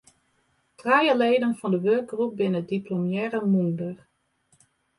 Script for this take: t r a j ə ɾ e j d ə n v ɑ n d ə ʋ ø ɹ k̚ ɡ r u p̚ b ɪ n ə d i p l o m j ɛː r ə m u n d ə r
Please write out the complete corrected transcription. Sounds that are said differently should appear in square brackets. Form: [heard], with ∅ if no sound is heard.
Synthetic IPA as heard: t r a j ə [l] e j d ə n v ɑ n d ə ʋ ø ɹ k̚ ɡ r u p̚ b ɪ n ə d i p l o m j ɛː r ə m u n d ə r